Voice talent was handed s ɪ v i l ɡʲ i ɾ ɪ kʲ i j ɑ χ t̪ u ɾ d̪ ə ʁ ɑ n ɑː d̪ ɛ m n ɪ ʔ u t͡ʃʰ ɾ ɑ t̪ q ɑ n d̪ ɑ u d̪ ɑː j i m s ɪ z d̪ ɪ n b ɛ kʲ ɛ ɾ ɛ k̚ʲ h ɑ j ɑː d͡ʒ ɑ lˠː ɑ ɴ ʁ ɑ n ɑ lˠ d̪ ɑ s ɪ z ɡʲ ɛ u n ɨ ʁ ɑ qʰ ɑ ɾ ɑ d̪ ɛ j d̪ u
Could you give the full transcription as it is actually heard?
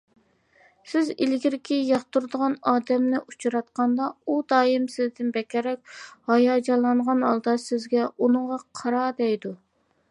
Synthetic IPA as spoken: s ɪ z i l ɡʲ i ɾ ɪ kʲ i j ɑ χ t̪ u ɾ d̪ ə ʁ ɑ n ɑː d̪ ɛ m n ɪ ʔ u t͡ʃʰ ɾ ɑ t̪ q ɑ n d̪ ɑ u d̪ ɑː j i m s ɪ z d̪ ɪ n b ɛ kʲ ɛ ɾ ɛ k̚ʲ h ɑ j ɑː d͡ʒ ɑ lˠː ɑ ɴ ʁ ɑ n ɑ lˠ d̪ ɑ s ɪ z ɡʲ ɛ u n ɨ ʁ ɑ qʰ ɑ ɾ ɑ d̪ ɛ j d̪ u